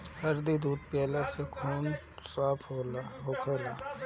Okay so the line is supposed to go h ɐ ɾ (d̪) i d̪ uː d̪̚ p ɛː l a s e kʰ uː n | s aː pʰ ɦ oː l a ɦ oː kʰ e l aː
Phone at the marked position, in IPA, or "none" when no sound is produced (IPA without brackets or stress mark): d̪